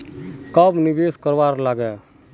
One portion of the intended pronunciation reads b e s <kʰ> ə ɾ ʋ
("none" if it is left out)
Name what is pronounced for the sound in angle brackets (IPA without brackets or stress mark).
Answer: k